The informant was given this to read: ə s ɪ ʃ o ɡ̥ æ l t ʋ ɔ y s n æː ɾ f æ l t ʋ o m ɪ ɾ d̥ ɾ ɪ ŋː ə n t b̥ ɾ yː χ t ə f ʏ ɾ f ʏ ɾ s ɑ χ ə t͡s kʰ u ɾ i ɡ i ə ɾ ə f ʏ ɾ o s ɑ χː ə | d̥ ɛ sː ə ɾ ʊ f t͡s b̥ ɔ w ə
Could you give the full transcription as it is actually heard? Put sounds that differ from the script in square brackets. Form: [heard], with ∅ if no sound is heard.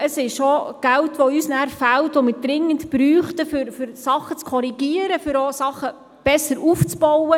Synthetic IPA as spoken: ə s ɪ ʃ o ɡ̥ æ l t ʋ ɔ y s n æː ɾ f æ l t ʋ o m ɪ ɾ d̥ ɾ ɪ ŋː ə n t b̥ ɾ yː χ t ə f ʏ ɾ f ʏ ɾ s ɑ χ ə t͡s kʰ [ɔ] ɾ i ɡ i ə ɾ ə f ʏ ɾ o s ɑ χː ə | [b̥] ɛ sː ə ɾ [u] f t͡s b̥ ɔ w ə